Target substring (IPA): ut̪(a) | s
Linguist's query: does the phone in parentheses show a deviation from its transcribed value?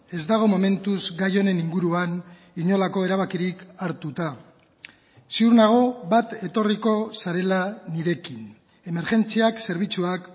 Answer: no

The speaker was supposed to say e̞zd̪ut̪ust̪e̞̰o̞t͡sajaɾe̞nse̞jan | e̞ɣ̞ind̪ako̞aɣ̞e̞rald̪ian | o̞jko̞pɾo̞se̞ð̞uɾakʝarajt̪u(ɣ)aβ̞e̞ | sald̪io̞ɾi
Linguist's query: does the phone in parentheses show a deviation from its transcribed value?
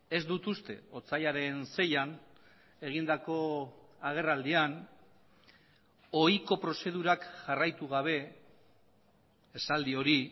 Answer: no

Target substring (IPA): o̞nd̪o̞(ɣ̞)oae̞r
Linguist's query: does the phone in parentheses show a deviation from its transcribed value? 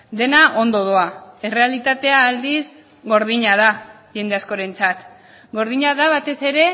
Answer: yes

